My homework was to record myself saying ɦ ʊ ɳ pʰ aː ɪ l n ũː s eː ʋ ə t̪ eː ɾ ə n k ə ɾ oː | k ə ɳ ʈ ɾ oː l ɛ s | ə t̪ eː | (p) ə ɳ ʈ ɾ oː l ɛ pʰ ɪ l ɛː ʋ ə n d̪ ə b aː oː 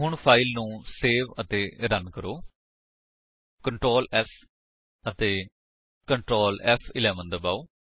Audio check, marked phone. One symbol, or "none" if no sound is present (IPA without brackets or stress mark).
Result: k